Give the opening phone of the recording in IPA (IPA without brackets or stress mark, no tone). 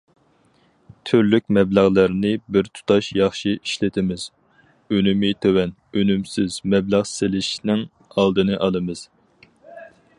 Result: t̪ʰ